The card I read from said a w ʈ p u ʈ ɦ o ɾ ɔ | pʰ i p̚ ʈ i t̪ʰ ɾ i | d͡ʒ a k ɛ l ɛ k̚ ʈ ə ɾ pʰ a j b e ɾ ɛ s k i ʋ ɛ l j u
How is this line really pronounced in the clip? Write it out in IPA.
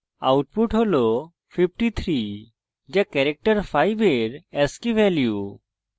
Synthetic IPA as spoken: a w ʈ p u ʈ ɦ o l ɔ | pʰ i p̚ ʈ i t̪ʰ ɾ i | d͡ʒ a k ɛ ɾ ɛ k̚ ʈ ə ɾ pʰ a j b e ɾ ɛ s k i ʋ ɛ l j u